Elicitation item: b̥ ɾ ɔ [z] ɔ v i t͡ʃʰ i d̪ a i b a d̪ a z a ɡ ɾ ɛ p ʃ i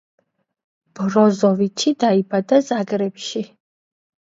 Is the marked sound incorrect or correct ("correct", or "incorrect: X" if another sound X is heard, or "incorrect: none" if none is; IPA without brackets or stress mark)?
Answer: correct